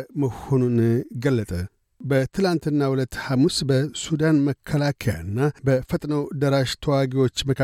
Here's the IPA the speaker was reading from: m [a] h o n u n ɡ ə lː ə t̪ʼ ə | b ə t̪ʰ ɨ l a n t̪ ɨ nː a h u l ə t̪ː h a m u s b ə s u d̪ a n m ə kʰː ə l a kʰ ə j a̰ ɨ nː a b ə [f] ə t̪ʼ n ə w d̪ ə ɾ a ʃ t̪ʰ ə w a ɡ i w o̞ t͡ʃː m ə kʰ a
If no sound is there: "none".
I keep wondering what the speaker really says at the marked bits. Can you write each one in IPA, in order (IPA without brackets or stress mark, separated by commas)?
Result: ə, f